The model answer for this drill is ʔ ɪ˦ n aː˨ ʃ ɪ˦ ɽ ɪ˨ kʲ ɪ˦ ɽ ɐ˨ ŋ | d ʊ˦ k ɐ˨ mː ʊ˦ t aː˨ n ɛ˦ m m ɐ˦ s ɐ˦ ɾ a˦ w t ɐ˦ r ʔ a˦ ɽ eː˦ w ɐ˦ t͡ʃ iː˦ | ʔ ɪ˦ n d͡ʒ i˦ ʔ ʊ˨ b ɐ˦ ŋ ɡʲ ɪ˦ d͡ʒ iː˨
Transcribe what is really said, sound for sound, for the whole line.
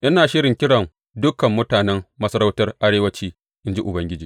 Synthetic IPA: ʔ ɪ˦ n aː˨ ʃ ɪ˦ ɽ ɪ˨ kʲ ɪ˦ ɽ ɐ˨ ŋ | d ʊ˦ k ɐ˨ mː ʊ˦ t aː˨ n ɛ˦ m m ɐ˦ s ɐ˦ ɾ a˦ w t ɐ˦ r ʔ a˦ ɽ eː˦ w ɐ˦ t͡ʃ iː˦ | ʔ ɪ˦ n d͡ʒ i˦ ʔ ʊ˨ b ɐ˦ ŋ ɡʲ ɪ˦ d͡ʒ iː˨

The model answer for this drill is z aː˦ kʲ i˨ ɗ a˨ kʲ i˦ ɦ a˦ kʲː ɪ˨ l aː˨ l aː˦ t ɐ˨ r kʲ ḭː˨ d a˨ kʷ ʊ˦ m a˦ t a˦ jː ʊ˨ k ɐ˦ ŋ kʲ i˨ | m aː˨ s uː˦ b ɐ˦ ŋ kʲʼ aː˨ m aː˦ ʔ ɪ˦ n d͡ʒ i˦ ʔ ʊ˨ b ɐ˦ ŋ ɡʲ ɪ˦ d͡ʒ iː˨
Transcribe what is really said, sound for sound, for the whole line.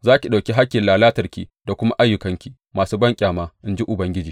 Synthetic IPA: z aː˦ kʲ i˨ ɗ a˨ kʲ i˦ ɦ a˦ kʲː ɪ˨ l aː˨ l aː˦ t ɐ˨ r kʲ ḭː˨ d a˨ kʷ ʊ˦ m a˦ ʔ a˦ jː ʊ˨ k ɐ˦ ŋ kʲ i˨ | m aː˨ s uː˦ b ɐ˦ ŋ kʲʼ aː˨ m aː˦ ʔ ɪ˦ n d͡ʒ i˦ ʔ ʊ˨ b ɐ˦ ŋ ɡʲ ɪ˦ d͡ʒ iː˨

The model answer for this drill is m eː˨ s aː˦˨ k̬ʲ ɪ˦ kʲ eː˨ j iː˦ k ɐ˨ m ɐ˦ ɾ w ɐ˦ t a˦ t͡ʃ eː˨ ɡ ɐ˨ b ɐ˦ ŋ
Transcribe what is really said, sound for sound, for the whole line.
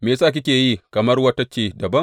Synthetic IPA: m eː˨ s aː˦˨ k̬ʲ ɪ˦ kʲ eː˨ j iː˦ k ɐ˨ m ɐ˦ r w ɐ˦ t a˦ t͡ʃ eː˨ d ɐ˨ b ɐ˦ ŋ

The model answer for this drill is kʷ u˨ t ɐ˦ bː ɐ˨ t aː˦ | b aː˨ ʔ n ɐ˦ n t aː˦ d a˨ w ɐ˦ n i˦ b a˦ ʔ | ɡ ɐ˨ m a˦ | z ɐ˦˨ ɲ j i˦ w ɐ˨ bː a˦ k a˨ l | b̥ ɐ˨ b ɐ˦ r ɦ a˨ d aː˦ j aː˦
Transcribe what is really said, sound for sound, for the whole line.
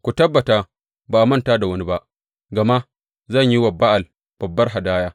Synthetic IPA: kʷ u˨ t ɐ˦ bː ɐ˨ t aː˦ | b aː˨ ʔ m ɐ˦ n t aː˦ d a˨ w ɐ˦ n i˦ b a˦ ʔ | ɡ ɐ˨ m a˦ | z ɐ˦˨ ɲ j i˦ w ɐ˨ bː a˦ ʔ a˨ l | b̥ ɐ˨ bː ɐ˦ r ɦ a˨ d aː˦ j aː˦

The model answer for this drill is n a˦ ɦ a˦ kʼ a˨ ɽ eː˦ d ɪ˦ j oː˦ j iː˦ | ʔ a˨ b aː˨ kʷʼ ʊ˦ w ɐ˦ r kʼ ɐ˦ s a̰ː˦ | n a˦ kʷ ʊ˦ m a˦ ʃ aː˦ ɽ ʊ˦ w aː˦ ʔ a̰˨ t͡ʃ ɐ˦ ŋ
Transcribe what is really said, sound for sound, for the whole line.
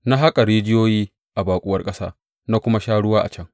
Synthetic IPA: n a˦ ɦ a˦ kʼ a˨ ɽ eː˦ d͡ʒ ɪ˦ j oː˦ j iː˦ | ʔ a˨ b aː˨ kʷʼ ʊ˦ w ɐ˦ r kʼ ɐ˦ s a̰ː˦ | n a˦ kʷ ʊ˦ m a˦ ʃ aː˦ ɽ ʊ˦ w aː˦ ʔ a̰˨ t͡ʃ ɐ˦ ŋ

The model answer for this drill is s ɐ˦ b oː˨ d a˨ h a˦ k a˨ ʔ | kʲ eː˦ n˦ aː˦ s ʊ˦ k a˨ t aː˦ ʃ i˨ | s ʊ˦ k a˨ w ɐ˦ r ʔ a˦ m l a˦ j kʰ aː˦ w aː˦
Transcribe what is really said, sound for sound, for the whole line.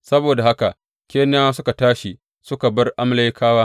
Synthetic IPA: s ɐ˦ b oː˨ d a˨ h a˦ k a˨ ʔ | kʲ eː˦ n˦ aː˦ s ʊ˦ k a˨ t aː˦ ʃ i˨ | s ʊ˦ k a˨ b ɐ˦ r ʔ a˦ m l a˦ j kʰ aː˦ w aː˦

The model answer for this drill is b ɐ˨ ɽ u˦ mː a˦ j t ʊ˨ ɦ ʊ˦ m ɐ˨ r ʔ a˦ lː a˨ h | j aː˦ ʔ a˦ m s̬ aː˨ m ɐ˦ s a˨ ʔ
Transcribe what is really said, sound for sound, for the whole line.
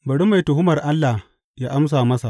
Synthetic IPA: b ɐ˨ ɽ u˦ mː a˨ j t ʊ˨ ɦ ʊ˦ m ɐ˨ r ʔ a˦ lː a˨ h | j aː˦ ʔ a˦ m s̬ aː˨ m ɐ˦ s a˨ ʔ

